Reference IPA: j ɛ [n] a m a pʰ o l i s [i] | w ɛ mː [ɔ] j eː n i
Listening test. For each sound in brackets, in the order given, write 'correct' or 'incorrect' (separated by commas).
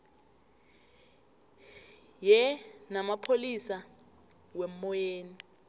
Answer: correct, incorrect, correct